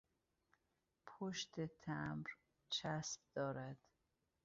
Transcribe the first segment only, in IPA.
pʰ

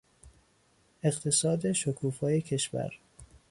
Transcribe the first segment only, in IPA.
e̞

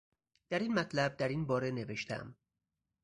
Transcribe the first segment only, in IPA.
d̪̥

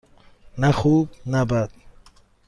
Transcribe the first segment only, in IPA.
n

